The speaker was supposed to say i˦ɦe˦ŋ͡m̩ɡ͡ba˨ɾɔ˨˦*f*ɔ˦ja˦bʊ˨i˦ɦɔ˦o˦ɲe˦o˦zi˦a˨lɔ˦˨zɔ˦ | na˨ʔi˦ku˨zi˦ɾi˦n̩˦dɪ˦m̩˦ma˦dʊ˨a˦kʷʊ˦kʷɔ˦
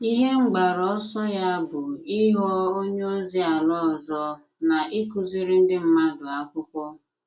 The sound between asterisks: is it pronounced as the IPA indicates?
no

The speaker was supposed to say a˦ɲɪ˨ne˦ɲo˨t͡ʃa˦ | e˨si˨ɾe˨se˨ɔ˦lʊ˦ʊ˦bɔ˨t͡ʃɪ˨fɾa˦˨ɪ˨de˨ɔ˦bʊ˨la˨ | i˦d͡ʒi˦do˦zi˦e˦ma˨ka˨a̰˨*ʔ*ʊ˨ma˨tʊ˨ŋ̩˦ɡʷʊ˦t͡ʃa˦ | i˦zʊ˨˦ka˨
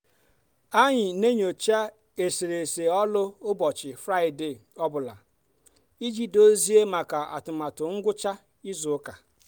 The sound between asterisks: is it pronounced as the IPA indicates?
no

